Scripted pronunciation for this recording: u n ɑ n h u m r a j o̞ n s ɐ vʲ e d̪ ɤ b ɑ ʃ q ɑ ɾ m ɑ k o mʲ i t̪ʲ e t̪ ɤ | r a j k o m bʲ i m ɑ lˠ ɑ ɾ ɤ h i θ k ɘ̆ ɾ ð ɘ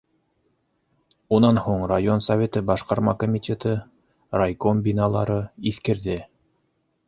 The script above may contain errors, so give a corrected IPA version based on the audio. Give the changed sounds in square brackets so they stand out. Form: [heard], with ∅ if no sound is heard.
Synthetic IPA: u n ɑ n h u [ɴ] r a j o̞ n s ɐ vʲ e [t̪] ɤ b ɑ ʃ q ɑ ɾ m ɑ k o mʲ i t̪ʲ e t̪ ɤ | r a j k o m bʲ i [n] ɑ lˠ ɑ ɾ ɤ [∅] i θ k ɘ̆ ɾ ð ɘ